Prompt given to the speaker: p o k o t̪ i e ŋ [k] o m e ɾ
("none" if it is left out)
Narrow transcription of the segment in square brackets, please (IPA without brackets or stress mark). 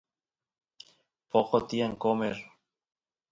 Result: k